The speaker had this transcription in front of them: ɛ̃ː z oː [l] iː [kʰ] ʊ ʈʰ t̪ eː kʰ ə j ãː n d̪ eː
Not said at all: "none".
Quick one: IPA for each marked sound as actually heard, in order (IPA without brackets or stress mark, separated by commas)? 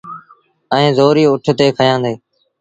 ɾ, none